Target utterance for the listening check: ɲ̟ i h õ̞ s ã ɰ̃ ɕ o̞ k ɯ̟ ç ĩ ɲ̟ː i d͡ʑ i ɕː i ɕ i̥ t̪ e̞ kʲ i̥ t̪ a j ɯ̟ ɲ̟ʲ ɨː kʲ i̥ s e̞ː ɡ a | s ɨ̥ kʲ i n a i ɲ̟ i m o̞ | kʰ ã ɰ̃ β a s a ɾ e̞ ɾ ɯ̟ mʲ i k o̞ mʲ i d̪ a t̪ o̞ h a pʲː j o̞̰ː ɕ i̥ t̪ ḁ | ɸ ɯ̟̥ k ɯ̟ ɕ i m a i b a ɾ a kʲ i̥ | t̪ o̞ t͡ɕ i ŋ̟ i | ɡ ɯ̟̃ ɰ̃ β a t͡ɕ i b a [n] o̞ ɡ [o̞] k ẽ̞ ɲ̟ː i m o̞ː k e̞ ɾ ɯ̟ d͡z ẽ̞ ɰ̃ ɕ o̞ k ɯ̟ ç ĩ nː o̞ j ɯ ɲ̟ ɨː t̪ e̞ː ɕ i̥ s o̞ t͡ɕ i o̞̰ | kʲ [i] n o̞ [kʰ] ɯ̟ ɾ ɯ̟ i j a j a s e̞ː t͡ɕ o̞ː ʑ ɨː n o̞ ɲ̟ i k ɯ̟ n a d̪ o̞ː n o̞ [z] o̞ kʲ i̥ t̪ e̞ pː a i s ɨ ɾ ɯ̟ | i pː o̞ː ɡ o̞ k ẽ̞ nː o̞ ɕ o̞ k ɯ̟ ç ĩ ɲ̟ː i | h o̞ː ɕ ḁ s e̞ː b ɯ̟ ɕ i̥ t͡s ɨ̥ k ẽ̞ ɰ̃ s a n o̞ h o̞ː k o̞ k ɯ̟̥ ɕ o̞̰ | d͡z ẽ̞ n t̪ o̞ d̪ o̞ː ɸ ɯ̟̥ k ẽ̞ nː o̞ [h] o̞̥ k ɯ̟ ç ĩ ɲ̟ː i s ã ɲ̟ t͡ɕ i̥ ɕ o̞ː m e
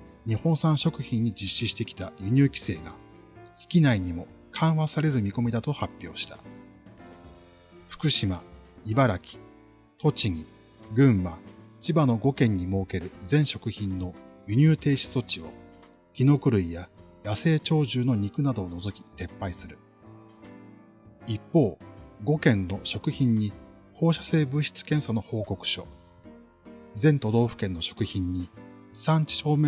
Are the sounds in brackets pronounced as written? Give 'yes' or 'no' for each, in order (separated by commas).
yes, yes, yes, no, yes, no